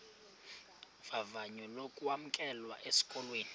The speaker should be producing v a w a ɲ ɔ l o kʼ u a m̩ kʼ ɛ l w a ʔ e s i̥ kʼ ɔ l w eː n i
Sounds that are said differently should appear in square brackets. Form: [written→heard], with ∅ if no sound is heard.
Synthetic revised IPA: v a [w→v] a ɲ ɔ l o kʼ u a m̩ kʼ ɛ l w a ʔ e s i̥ kʼ ɔ l w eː n i